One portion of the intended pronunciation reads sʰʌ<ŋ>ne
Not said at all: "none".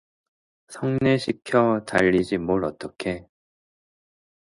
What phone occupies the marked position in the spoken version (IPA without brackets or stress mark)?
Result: ŋ